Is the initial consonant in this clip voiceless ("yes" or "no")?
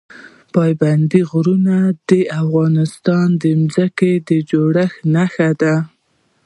yes